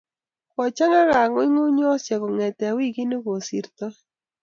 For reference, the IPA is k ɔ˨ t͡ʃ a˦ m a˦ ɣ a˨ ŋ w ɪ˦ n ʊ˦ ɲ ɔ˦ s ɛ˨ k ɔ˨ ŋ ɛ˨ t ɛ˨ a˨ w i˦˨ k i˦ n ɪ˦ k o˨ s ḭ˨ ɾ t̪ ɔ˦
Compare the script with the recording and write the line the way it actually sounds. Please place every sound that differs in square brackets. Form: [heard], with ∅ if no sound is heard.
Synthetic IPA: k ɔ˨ t͡ʃ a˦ [ŋ] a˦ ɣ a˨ ŋ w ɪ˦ [ŋ] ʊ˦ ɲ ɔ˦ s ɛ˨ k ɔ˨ ŋ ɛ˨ t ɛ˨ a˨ w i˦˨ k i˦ n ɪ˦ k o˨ s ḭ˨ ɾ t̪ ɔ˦